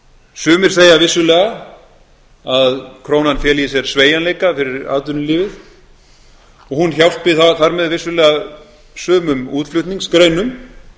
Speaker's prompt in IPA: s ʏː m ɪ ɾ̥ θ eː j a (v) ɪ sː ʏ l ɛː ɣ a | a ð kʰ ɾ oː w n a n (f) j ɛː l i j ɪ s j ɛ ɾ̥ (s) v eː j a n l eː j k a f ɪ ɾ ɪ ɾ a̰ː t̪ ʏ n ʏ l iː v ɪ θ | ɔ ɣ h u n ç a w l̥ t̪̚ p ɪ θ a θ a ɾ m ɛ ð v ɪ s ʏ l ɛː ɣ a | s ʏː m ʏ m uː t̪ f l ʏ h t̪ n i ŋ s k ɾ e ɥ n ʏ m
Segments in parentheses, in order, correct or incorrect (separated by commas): correct, correct, correct